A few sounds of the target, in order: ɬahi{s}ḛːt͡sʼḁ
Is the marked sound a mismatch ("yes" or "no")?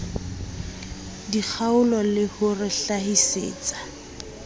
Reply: no